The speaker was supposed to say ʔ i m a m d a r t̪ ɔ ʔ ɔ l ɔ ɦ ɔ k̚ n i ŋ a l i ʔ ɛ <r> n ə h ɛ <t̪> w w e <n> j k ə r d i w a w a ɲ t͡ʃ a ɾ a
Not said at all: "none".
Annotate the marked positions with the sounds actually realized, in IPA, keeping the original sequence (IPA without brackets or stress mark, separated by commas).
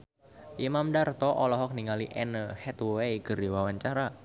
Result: none, t̪, none